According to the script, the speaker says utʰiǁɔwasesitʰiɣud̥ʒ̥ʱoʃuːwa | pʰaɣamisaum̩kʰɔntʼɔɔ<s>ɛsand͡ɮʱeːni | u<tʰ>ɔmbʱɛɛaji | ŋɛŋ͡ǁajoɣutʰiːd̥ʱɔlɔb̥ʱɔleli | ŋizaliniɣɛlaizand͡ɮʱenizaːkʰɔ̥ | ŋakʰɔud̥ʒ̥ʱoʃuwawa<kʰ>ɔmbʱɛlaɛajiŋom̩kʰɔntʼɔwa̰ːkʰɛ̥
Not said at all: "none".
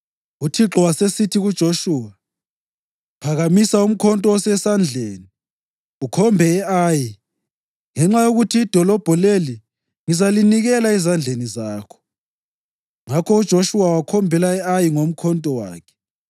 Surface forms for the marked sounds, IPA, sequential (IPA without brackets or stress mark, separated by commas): s, kʰ, kʰ